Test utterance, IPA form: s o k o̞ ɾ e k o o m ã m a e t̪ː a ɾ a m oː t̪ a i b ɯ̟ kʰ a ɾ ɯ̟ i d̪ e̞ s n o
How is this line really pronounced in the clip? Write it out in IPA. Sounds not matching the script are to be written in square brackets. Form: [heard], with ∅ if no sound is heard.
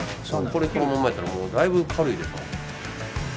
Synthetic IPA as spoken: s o k o̞ ɾ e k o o m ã m a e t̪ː a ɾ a m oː [d̪] a i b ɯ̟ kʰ a ɾ ɯ̟ i d̪ e̞ s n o